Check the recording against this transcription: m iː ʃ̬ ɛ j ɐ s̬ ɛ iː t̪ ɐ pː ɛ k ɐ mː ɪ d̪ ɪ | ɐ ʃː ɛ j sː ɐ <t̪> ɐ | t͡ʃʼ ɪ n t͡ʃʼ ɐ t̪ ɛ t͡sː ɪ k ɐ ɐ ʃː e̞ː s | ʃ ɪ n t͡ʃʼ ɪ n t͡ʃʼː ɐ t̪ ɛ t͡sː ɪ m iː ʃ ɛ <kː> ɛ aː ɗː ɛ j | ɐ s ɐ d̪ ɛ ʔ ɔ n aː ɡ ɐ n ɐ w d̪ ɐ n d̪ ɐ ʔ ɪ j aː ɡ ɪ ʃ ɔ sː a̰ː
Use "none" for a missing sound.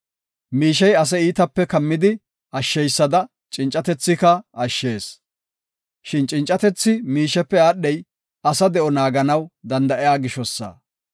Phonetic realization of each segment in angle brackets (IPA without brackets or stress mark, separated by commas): d̪, pː